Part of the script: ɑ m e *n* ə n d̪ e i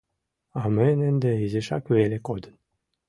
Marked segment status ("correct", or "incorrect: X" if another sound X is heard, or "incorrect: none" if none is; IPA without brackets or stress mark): correct